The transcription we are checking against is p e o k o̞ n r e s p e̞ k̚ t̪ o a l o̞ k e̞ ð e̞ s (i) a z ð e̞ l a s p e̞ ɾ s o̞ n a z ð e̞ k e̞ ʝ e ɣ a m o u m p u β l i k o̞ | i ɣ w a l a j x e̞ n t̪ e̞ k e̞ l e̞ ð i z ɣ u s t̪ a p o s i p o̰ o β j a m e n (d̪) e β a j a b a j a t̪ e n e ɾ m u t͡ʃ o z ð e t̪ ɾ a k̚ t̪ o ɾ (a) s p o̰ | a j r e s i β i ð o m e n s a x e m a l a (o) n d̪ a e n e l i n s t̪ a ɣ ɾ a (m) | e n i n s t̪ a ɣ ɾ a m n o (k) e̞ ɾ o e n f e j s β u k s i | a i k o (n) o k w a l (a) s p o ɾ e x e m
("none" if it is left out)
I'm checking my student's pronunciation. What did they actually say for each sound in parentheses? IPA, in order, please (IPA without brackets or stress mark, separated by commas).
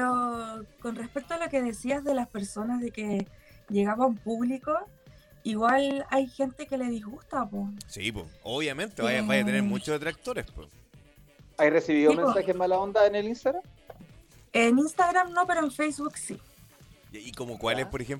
i, t̪, e, o, m, p, m, e